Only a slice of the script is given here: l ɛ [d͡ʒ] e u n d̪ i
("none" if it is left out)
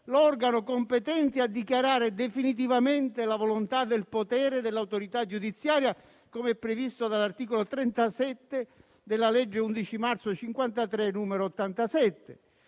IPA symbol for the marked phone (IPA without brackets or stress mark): d͡ʒː